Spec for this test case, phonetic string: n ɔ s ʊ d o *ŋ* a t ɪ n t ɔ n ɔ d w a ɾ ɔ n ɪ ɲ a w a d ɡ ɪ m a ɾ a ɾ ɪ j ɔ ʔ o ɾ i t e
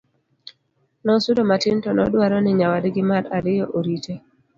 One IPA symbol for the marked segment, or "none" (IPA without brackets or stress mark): m